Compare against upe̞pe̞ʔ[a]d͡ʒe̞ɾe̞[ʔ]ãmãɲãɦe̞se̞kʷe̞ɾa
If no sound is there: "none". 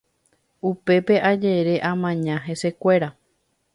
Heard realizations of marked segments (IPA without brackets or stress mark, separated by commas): a, ʔ